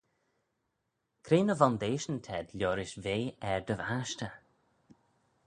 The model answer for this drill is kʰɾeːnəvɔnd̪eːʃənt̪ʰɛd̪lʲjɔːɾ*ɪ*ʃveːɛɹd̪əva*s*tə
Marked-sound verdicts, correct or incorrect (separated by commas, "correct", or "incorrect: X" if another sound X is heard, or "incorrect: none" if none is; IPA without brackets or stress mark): correct, incorrect: ʃ